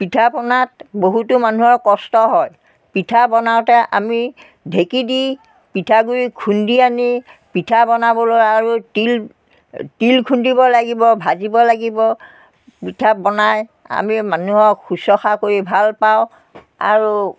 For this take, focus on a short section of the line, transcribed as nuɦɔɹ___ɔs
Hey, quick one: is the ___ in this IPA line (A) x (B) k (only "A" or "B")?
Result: B